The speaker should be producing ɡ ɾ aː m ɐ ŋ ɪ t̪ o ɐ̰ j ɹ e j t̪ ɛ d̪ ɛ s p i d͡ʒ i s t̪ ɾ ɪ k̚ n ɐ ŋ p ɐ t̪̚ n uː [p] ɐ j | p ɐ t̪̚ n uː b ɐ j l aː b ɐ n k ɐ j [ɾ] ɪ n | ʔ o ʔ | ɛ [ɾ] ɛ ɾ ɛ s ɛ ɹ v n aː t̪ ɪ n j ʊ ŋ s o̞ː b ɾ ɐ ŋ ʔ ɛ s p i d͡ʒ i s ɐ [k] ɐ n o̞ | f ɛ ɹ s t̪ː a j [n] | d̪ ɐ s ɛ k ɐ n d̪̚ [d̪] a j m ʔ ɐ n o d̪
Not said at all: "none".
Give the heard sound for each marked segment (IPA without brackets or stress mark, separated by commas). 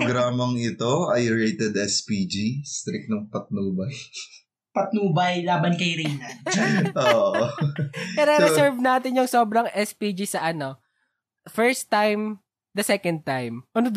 b, ɾ, ɾ, ʔ, m, t̪